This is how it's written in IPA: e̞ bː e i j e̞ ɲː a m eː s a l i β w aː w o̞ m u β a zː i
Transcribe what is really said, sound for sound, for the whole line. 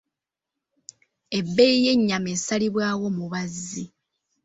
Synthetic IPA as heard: e̞ bː e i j e̞ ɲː a m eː s a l i β w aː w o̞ m u β a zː i